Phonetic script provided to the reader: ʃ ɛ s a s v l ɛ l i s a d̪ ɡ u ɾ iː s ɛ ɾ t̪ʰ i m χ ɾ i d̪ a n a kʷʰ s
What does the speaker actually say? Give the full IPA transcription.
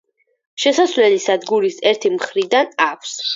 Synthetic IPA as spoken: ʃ ɛ s a s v l ɛ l i s a d̪ ɡ u ɾ i s ɛ ɾ t̪ʰ i m χ ɾ i d̪ a n a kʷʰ s